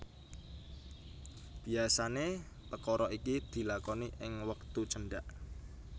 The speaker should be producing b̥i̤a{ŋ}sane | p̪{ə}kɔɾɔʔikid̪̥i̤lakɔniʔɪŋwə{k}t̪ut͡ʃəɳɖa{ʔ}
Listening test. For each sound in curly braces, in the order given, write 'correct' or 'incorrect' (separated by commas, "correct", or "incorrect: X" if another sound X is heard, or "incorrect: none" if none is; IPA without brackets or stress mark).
incorrect: none, correct, correct, correct